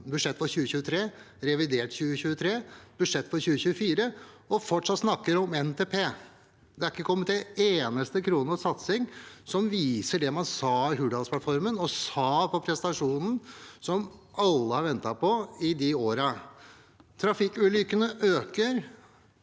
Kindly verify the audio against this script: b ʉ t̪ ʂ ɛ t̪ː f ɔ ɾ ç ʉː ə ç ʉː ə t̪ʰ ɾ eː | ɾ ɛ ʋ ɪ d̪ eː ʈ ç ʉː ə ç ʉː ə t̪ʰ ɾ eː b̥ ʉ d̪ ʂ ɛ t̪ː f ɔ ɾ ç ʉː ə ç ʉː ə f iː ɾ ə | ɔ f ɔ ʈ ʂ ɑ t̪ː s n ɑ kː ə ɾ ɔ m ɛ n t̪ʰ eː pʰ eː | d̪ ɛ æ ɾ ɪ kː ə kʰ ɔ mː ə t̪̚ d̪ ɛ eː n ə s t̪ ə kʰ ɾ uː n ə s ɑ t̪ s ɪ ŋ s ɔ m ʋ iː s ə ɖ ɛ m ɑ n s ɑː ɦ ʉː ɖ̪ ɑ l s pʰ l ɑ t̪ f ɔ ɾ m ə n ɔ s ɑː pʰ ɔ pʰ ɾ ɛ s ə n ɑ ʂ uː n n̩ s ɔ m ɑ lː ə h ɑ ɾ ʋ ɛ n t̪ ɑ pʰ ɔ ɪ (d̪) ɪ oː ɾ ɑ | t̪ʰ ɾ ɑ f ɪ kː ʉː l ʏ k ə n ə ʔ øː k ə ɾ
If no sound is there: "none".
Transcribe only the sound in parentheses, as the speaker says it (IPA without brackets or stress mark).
d̪